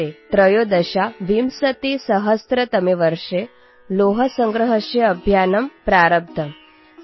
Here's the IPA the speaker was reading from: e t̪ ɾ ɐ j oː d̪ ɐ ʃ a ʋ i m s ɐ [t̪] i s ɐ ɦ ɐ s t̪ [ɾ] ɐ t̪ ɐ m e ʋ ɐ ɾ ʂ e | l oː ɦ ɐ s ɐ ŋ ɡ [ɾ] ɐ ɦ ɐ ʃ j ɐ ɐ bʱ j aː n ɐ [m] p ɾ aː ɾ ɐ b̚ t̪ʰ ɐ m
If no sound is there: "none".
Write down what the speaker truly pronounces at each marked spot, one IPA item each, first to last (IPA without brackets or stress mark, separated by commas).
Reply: t̪, ɾ, ɾ, m